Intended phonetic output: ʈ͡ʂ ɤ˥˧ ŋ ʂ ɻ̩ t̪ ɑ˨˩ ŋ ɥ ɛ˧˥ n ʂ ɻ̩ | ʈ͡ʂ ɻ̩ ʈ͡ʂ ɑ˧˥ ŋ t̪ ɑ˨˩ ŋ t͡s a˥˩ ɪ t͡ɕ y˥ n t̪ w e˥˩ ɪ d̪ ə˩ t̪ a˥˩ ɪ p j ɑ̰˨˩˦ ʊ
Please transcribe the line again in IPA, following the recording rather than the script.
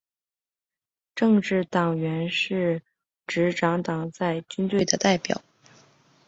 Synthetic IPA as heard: ʈ͡ʂ ɤ˥˧ ŋ ʈ͡ʂ ɻ̩ t̪ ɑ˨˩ ŋ ɥ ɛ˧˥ n ʂ ɻ̩ | ʈ͡ʂ ɻ̩ ʈ͡ʂ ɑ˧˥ ŋ t̪ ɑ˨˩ ŋ t͡s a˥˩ ɪ t͡ɕ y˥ n t̪ w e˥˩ ɪ d̪ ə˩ t̪ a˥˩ ɪ p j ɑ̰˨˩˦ ʊ

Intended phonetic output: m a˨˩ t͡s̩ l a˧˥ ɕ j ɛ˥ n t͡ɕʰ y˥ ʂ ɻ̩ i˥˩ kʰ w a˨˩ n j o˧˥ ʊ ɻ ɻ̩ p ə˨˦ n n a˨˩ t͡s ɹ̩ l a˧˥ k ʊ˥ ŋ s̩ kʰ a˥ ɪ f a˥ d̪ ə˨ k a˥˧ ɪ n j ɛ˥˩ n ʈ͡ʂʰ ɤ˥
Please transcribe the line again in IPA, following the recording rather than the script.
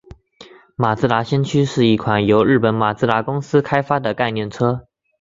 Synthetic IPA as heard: m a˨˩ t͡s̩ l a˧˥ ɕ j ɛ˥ n t͡ɕʰ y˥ ʂ ɻ̩ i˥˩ kʰ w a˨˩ n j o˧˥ ʊ ɻ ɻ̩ p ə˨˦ n m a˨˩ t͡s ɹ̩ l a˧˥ k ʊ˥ ŋ s̩ kʰ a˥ ɪ f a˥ d̪ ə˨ k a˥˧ ɪ n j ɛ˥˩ n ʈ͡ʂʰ ɤ˥

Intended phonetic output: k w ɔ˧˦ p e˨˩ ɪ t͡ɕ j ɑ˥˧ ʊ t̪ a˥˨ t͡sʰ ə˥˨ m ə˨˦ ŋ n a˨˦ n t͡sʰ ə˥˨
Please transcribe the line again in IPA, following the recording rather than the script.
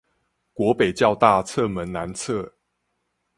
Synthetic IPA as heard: k w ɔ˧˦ p e˨˩ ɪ t͡ɕ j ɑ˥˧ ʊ t̪ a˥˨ t͡sʰ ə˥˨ m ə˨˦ n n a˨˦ n t͡sʰ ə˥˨

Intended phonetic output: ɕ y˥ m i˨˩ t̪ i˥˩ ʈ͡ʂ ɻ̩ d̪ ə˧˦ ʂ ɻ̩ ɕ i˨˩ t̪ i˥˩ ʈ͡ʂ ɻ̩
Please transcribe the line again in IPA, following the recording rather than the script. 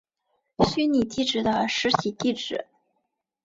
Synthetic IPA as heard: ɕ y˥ n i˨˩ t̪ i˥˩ ʈ͡ʂ ɻ̩ d̪ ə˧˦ ʂ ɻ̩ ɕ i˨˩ t̪ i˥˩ ʈ͡ʂ ɻ̩

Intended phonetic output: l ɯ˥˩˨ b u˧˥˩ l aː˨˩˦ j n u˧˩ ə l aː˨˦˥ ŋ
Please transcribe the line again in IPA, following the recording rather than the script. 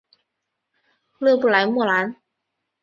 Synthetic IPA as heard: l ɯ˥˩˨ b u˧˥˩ l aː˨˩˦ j m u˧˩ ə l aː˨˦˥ n

